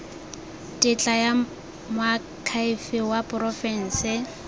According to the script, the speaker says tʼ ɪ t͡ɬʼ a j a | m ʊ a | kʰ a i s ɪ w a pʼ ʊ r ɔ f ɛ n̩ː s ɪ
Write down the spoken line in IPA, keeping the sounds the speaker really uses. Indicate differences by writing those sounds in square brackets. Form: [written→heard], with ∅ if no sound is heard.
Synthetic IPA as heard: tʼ ɪ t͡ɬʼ a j a | m ʊ a | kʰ a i [s→f] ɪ w a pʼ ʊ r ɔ f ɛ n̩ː s ɪ